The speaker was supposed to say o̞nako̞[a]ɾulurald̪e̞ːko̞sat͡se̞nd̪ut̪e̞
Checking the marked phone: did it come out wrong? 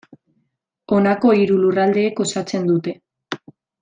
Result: yes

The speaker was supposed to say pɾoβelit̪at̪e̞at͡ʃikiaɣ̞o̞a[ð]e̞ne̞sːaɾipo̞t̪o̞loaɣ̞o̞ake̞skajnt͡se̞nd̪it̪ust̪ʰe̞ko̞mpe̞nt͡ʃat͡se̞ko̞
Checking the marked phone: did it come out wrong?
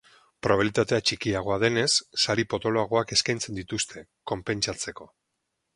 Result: no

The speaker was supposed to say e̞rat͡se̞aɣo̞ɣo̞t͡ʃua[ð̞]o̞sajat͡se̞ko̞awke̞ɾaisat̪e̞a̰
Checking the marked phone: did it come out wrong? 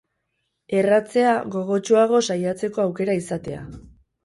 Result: yes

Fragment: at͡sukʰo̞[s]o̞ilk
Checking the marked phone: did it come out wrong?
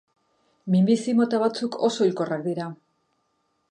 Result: no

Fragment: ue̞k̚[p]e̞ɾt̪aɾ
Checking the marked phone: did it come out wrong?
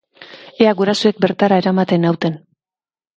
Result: yes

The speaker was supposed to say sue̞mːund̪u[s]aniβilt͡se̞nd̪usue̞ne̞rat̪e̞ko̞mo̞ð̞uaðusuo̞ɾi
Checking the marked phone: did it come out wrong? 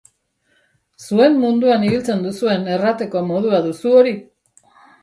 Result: yes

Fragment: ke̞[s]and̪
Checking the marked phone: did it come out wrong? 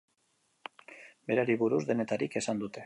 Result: no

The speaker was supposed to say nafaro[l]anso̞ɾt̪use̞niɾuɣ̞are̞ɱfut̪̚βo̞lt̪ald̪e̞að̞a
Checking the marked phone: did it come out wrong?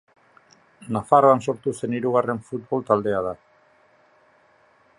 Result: yes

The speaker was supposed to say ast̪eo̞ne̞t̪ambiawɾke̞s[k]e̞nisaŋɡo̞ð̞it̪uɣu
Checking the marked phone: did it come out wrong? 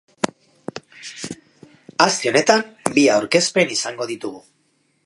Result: yes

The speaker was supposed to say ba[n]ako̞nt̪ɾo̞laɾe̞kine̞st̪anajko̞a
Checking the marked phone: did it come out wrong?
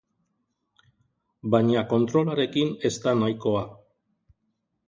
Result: yes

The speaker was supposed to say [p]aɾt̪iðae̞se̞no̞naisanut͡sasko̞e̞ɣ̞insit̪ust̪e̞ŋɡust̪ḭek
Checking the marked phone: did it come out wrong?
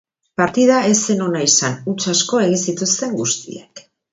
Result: no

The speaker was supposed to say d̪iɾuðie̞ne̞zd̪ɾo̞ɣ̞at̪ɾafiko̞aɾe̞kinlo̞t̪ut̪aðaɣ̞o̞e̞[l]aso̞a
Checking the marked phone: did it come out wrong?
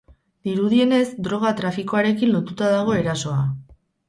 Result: yes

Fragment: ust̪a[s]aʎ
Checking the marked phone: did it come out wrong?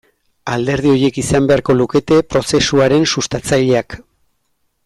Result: yes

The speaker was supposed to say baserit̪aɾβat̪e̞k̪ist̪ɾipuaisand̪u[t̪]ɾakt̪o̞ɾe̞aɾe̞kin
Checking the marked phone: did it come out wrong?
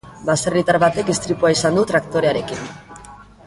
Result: no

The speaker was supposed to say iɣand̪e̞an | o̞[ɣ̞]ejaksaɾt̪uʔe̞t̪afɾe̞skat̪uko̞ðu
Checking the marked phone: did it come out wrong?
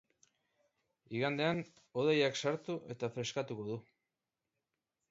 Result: yes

